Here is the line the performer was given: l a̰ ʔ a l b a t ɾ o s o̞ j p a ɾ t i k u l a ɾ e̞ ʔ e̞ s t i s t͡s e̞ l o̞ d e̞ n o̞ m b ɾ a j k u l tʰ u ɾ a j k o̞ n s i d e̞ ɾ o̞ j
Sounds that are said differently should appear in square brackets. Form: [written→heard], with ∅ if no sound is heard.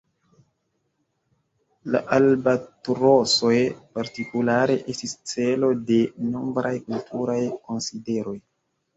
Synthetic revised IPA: l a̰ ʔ a l b a t ɾ o s o̞ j p a ɾ t i k u l a ɾ e̞ ʔ e̞ s t i s t͡s e̞ l o̞ d e̞ n o̞ m b ɾ a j k u l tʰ u ɾ a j k o̞ n s i d e̞ ɾ o̞ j